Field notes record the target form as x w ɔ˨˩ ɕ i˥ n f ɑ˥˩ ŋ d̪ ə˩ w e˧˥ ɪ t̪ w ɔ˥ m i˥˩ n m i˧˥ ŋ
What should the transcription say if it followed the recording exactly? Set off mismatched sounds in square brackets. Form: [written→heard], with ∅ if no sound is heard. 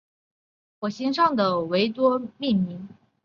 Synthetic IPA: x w ɔ˨˩ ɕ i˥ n [f→ʂ] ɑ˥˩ ŋ d̪ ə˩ w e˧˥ ɪ t̪ w ɔ˥ m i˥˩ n m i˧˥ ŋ